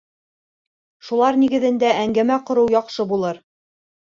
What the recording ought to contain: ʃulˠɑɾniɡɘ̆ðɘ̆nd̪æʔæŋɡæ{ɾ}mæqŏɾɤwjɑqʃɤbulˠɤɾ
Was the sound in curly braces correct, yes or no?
no